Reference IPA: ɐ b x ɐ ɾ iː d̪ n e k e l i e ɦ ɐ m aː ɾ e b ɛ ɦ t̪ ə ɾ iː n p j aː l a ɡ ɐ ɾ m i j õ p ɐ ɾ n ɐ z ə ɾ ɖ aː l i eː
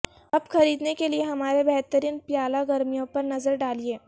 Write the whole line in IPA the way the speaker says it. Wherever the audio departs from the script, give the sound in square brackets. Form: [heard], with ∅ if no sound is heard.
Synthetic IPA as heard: ɐ b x ɐ ɾ iː d̪ n e k e l i e ɦ ɐ m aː ɾ e b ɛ ɦ t̪ ə ɾ iː n p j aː l a ɡ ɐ ɾ m i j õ p ɐ ɾ n ɐ z ə ɾ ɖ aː l i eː